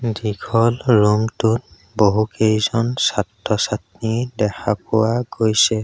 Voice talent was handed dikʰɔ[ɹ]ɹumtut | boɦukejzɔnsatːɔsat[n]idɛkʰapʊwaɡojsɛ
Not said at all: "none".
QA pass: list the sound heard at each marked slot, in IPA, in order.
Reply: l, n

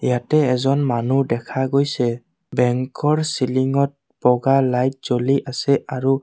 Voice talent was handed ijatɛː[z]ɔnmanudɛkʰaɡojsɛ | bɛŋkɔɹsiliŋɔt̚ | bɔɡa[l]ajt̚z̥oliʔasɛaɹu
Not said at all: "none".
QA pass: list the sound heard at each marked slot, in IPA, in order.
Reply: z, l

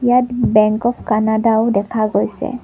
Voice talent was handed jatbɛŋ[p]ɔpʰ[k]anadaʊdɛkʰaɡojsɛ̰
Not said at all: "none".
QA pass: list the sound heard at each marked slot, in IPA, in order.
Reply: k, k

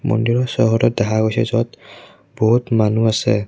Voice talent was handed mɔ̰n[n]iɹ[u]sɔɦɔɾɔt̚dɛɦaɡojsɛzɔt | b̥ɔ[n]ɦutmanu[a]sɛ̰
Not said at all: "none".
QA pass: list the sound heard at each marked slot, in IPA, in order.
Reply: d, ɔ, none, a

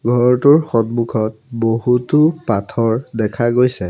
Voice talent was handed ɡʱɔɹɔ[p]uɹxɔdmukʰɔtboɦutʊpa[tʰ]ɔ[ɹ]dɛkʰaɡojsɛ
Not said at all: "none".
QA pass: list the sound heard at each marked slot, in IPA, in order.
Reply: t, tʰ, ɹ

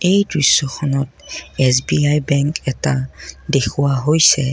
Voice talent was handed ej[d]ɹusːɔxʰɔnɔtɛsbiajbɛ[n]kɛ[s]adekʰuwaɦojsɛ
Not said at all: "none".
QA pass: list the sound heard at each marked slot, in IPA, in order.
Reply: d, ŋ, t

